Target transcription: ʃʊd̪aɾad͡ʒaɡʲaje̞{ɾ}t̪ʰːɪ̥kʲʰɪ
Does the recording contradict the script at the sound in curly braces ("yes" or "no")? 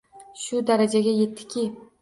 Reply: yes